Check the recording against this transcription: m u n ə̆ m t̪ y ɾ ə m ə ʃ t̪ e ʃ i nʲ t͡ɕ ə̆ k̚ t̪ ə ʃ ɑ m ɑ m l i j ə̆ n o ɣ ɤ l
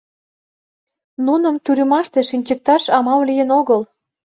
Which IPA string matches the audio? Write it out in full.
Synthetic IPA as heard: n u n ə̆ m t̪ y ɾ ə m ɑ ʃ t̪ e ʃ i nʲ t͡ɕ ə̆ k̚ t̪ ɑ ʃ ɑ m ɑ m l i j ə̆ n o ɣ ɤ l